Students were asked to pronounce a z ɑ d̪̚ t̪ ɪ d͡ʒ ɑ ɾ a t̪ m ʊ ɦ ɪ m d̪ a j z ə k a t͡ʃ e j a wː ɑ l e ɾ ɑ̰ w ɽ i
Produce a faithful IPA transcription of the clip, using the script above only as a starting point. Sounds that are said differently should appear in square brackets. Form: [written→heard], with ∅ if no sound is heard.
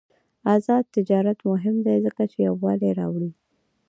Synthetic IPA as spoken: a z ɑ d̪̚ t̪ ɪ d͡ʒ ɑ ɾ a t̪ m ʊ ɦ ɪ m d̪ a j z ə k a t͡ʃ e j a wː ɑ l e ɾ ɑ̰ w ɽ i